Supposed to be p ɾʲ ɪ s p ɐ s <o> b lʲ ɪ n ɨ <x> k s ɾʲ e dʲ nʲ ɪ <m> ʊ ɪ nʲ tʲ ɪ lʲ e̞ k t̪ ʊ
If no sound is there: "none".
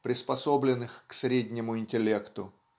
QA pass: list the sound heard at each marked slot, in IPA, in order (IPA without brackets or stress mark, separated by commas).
o, x, m